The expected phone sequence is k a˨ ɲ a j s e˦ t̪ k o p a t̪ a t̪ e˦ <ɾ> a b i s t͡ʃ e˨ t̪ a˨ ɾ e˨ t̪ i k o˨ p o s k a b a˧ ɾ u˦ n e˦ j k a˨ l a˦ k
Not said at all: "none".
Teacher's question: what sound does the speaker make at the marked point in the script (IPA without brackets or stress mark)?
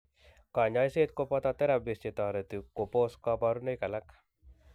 ɾ